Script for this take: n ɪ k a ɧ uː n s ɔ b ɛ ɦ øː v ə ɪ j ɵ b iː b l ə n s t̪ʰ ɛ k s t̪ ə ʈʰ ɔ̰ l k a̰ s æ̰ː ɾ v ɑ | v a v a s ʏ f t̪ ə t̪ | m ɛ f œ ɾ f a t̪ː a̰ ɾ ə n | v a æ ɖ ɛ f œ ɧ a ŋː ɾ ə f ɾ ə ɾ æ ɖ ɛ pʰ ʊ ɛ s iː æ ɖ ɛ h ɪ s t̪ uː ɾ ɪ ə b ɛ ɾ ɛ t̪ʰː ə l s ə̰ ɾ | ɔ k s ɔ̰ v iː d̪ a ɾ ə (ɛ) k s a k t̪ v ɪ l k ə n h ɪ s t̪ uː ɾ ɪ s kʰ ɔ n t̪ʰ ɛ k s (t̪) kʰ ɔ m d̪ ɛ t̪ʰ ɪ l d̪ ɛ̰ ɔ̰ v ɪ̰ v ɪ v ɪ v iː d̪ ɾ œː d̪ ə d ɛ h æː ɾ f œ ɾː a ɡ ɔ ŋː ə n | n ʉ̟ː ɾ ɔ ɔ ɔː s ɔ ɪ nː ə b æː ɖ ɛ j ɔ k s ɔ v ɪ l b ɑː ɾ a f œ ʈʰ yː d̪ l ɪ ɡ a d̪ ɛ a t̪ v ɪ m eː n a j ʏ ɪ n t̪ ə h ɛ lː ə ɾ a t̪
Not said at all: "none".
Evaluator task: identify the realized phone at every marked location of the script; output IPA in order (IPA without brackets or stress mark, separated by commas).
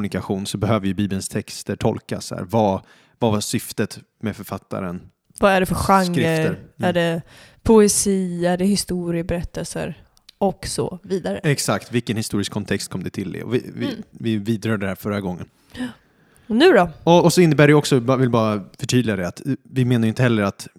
ɛ, t̪